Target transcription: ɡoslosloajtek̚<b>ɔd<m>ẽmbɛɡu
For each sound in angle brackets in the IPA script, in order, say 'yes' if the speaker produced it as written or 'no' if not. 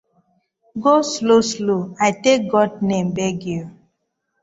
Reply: no, no

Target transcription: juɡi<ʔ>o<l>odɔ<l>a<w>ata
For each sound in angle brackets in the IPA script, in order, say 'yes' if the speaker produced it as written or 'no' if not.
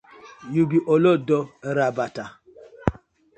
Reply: yes, yes, no, no

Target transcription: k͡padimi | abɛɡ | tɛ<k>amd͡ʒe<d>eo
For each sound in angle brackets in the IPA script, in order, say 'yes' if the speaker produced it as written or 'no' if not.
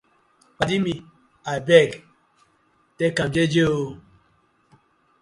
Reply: yes, no

